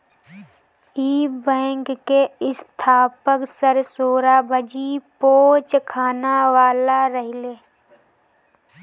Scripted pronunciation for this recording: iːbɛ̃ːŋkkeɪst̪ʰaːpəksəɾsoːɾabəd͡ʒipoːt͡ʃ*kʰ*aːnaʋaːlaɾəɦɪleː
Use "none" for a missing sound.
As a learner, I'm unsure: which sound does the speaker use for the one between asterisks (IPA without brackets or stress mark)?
kʰ